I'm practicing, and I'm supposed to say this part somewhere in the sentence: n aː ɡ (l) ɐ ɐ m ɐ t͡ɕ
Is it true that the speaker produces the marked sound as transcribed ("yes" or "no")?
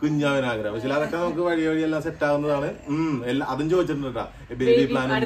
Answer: no